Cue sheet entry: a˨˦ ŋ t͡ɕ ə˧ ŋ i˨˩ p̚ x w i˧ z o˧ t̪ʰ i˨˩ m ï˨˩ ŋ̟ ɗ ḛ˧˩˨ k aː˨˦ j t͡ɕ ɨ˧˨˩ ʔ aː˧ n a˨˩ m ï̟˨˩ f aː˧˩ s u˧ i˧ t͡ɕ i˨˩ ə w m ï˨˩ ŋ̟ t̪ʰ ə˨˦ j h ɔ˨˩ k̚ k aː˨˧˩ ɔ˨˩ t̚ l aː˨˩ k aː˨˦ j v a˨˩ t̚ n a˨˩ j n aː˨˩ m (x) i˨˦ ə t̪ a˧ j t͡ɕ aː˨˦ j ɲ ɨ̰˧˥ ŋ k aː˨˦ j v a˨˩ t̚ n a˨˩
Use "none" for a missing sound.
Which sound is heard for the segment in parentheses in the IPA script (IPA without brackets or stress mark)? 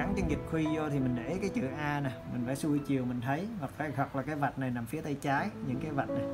f